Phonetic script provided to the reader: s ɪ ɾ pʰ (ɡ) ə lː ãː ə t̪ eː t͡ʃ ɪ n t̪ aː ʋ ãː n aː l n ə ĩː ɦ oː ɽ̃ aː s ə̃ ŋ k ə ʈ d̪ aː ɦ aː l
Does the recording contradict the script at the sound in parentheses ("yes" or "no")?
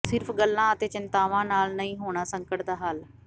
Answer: no